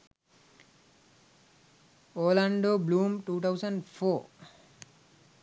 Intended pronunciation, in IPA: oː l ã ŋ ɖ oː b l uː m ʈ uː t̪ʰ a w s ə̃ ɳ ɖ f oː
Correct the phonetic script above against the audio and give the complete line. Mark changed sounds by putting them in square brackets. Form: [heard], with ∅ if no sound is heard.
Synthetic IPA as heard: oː l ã [ɳ] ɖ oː b l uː m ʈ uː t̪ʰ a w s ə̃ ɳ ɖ f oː